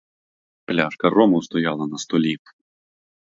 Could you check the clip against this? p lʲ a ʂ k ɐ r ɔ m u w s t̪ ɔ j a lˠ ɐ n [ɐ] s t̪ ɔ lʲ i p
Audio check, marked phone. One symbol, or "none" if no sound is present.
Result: ɐ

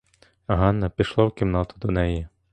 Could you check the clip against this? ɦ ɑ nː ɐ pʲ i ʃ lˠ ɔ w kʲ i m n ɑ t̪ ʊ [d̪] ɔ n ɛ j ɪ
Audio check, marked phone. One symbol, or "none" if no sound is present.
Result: d̪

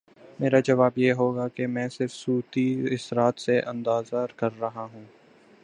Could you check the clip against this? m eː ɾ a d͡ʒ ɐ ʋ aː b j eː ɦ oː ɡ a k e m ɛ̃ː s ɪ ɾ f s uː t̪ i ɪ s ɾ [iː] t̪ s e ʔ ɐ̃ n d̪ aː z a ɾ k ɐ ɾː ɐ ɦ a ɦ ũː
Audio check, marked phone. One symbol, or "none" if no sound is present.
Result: aː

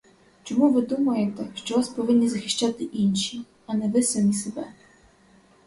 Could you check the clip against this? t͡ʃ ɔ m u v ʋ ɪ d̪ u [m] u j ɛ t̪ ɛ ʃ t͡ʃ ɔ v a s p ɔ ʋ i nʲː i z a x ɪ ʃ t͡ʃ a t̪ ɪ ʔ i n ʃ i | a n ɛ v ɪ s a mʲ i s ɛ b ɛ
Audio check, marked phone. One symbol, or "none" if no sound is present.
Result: m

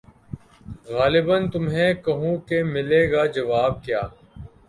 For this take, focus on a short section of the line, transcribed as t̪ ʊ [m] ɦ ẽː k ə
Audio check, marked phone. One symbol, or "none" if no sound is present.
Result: m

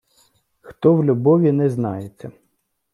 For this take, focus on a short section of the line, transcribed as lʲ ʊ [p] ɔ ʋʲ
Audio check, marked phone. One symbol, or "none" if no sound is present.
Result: b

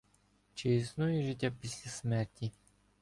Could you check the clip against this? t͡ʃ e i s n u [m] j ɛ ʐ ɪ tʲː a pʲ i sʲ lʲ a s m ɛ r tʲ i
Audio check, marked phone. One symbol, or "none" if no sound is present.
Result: none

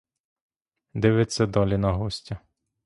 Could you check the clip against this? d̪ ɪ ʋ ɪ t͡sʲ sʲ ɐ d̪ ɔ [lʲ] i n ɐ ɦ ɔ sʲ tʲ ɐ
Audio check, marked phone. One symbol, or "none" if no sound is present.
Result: lʲ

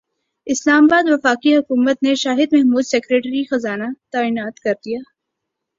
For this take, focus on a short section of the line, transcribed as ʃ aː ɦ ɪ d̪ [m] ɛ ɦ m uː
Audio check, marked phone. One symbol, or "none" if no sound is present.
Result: m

